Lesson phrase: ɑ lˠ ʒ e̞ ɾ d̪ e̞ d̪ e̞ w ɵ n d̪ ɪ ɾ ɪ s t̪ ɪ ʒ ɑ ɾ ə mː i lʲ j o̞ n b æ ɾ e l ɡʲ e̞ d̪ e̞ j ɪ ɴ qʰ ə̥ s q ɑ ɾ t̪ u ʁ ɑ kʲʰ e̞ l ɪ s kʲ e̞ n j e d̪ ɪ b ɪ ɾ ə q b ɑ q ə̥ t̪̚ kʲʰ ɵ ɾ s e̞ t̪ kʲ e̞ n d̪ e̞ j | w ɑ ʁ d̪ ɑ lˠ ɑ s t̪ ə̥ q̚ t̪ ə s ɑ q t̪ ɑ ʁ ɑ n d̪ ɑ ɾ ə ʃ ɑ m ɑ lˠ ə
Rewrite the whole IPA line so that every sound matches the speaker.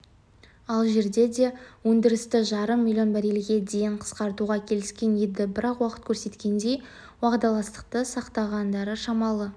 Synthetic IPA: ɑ lˠ ʒ e̞ ɾ d̪ e̞ d̪ e̞ w ɵ n d̪ ɪ ɾ ɪ s t̪ ɪ ʒ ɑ ɾ ə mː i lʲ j o̞ n b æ ɾ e l ɡʲ e̞ d̪ e̞ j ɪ ɴ qʰ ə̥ s q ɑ ɾ t̪ u ʁ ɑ kʲʰ e̞ l ɪ s kʲ e̞ n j e d̪ ɪ b ɪ ɾ ɑ q w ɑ q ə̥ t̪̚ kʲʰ ɵ ɾ s e̞ t̪ kʲ e̞ n d̪ e̞ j | w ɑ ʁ d̪ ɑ lˠ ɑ s t̪ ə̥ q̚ t̪ ə s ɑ q t̪ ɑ ʁ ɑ n d̪ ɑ ɾ ə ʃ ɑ m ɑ lˠ ə